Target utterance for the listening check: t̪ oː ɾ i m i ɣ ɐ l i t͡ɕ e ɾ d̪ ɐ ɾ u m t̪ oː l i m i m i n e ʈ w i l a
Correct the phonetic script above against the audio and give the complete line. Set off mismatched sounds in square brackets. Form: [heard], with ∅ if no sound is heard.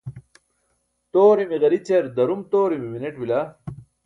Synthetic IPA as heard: t̪ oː ɾ i m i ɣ ɐ [ɾ] i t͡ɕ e ɾ d̪ ɐ ɾ u m t̪ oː [ɾ] i m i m i n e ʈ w i l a

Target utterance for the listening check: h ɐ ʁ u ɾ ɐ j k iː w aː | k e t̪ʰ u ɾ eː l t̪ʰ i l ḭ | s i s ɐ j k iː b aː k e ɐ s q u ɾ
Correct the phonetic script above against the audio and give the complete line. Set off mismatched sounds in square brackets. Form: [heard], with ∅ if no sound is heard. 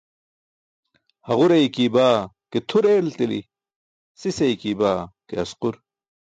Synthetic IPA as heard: h ɐ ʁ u ɾ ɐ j k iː [b] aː | k e t̪ʰ u ɾ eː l [t̪] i l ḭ | s i s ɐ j k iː b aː k e ɐ s q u ɾ

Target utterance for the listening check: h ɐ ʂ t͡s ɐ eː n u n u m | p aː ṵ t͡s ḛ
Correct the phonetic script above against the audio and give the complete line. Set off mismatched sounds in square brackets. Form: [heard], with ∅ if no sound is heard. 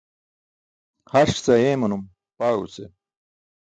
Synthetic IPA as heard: h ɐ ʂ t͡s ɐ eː [m] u n u m | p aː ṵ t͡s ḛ

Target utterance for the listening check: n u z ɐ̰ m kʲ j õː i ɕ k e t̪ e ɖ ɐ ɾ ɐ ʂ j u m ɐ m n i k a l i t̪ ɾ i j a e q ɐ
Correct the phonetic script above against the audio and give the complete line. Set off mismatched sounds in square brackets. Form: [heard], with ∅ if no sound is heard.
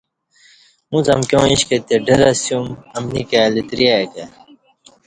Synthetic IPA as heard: [m] u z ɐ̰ m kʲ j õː i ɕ k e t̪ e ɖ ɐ ɾ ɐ [s] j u m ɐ m n i k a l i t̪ ɾ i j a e [k] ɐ

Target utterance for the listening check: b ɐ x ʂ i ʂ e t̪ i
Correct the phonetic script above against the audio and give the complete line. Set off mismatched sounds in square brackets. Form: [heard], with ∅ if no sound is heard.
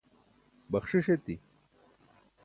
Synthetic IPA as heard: b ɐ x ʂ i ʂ e t̪ i

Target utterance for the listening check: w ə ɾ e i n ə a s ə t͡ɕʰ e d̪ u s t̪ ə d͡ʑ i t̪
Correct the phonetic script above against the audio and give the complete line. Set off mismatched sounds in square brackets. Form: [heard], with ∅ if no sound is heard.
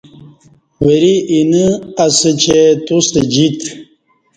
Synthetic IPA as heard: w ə ɾ [i] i n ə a s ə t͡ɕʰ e [t̪] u s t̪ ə d͡ʑ i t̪

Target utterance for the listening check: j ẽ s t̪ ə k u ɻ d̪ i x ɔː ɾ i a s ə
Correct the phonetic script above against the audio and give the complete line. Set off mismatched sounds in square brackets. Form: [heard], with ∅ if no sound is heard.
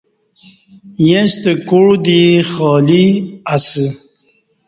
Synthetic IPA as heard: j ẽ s t̪ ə k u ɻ d̪ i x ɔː [l] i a s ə

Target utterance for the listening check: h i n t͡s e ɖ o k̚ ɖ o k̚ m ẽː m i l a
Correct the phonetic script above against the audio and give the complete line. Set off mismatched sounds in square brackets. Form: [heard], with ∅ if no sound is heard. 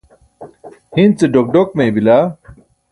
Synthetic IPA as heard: h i n t͡s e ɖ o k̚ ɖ o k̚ m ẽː [b] i l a

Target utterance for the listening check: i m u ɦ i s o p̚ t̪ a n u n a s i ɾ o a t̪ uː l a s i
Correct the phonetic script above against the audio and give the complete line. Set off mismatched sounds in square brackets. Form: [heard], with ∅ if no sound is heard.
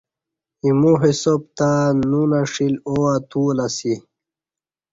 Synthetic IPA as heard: i m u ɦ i s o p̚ t̪ a n u n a [ʂ] i [l] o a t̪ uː l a s i

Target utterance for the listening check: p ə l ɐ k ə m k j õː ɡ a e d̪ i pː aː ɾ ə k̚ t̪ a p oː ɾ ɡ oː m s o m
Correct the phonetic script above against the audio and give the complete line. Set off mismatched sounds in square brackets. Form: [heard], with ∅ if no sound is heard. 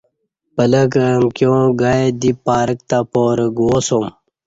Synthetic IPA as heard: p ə l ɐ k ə m k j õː ɡ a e d̪ i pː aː ɾ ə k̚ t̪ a p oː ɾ ɡ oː [∅] s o m

